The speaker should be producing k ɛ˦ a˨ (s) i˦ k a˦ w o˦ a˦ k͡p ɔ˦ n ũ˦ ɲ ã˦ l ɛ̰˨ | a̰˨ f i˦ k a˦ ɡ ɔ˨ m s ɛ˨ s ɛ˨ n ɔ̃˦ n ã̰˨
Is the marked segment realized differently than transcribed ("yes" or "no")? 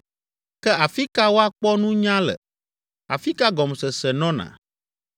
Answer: yes